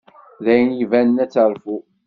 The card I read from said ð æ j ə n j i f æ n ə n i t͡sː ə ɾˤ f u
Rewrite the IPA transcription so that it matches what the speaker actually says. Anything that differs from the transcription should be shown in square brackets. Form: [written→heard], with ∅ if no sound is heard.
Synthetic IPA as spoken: ð æ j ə n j i [f→v] æ n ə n [i→æ] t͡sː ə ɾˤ f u